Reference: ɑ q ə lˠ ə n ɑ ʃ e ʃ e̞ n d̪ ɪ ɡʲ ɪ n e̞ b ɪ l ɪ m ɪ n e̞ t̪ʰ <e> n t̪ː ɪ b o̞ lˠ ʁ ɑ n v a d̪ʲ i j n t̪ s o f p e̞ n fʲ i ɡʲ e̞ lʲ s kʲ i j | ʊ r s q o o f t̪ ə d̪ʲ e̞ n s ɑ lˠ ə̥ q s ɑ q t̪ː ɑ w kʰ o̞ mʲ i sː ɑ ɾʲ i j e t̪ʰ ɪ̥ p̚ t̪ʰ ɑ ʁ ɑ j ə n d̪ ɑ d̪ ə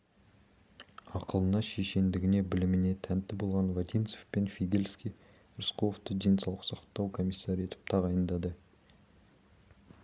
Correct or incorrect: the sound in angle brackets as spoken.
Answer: incorrect: æ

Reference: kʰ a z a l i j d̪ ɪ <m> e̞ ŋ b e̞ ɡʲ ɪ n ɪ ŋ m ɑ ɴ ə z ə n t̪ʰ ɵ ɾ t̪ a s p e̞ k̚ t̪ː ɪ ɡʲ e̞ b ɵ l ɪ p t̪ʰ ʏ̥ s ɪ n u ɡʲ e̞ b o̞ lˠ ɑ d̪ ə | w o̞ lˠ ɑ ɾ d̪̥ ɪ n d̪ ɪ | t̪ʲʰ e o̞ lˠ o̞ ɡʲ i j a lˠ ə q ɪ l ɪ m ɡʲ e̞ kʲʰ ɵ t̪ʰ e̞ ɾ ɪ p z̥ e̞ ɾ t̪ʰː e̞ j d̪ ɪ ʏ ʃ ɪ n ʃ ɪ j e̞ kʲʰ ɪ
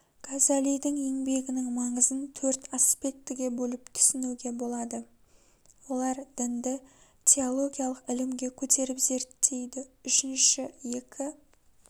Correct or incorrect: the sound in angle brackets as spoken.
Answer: incorrect: ŋ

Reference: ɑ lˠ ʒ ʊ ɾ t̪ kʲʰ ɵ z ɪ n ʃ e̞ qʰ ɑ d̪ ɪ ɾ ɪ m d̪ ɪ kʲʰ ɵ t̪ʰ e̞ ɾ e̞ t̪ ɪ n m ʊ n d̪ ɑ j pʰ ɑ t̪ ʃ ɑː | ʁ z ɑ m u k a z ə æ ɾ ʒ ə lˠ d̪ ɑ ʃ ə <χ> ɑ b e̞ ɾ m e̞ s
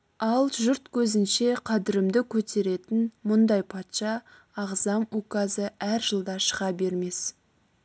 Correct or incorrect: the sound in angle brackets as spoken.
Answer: incorrect: ʁ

